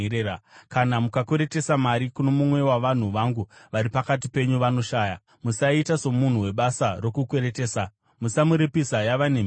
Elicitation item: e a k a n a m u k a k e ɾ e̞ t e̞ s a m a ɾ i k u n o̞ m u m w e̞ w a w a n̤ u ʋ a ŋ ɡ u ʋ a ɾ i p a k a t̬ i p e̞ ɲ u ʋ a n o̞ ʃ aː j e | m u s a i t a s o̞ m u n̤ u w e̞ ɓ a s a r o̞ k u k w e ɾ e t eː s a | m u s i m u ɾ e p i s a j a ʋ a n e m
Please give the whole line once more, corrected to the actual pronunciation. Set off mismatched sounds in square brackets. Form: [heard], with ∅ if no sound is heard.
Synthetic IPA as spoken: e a k a n a m u k a k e ɾ e̞ t e̞ s a m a ɾ i k u n o̞ m u m w e̞ w a [ʋ] a n̤ u ʋ a ŋ ɡ u ʋ a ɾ i p a k a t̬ i p e̞ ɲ u ʋ a n o̞ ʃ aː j [a] | m u s a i t a s o̞ m u n̤ u w e̞ ɓ a s a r o̞ k u k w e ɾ e t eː s a | m u s [a] m u ɾ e p i s a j a ʋ a n e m